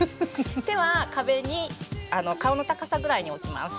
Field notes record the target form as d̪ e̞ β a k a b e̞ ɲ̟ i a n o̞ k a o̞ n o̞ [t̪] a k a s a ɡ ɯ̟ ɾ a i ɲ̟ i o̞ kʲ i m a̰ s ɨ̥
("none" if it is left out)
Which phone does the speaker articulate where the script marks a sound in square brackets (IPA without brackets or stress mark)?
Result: t̪